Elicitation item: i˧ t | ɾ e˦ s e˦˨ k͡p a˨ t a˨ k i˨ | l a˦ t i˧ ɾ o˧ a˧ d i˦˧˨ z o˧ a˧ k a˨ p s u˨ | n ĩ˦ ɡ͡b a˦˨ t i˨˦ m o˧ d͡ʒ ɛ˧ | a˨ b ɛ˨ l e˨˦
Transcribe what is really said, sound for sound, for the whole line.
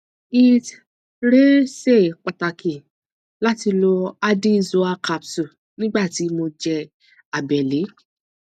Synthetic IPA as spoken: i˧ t | ɾ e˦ s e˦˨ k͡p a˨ t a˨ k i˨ | l a˦ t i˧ l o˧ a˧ d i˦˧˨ z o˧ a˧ k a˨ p s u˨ | n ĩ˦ ɡ͡b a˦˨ t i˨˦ m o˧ d͡ʒ ɛ˧ | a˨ b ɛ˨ l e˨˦